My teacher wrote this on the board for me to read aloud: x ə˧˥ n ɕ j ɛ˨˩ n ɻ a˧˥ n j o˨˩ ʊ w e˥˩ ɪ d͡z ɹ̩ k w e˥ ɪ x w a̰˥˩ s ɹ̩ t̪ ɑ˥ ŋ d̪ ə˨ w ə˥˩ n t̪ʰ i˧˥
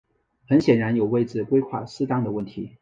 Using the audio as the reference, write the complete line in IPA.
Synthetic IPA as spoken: x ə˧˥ n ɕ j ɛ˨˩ n ɻ a˧˥ n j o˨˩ ʊ w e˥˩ ɪ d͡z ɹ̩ k w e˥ ɪ x w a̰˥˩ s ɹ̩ t̪ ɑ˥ ŋ d̪ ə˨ w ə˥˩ n t̪ʰ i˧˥